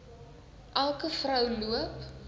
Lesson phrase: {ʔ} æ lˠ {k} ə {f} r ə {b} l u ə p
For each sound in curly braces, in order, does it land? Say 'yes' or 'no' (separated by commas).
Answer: yes, yes, yes, no